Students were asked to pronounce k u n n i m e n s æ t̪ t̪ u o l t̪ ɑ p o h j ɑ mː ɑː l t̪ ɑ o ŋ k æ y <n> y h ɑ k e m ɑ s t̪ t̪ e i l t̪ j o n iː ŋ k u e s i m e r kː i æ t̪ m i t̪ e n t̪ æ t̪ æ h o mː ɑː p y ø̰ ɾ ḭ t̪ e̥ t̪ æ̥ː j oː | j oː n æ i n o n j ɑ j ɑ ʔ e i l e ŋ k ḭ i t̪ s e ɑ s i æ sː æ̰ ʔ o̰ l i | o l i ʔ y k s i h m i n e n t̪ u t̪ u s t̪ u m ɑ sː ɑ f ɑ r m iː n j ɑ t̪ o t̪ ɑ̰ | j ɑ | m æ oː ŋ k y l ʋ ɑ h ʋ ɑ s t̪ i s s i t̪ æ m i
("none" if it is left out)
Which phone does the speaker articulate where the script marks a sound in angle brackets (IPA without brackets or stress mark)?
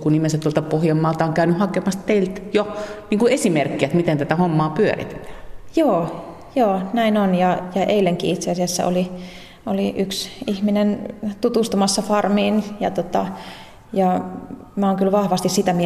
n